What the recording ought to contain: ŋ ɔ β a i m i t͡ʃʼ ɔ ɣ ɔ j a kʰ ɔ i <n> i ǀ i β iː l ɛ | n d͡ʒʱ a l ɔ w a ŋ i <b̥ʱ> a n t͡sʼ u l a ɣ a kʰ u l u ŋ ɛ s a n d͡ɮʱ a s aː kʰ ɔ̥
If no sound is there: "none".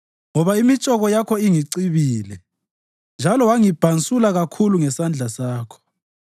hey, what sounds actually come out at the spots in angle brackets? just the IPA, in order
ŋ, b̥ʱ

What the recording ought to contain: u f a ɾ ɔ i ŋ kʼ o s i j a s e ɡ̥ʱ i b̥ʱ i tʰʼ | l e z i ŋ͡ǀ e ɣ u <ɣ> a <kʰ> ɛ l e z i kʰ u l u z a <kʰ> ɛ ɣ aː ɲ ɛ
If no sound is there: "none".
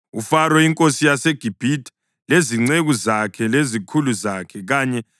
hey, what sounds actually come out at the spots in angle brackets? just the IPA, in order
z, kʰ, kʰ

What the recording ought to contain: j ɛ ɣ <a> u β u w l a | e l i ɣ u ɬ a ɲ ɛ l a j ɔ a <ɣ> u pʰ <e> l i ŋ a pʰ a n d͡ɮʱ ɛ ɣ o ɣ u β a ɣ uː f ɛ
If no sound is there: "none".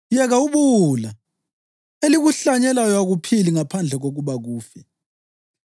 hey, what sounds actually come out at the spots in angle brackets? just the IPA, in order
a, ɣ, i

